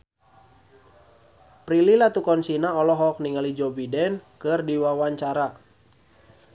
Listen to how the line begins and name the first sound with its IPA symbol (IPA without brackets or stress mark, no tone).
p